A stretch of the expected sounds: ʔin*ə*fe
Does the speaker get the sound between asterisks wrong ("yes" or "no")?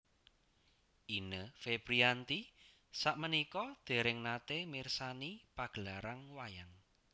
no